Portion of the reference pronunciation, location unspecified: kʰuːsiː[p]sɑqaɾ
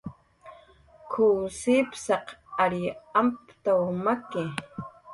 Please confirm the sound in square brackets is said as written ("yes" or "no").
yes